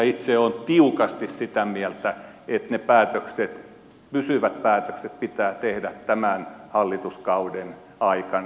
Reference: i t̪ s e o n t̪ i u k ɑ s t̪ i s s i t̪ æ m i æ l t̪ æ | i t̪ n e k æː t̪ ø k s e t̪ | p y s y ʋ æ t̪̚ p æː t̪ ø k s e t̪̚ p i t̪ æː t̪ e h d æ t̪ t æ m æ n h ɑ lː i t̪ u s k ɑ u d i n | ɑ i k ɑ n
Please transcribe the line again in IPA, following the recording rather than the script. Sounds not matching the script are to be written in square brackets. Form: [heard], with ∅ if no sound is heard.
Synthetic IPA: i t̪ s e o n t̪ i u k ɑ s t̪ i s s i t̪ æ m i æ l t̪ æ | [e] t̪ n e [p] æː t̪ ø k s e t̪ | p y s y ʋ æ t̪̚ p æː t̪ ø k s e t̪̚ p i t̪ æː t̪ e h d æ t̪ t æ m æ n h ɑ lː i t̪ u s k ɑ u d [e] n | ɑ i k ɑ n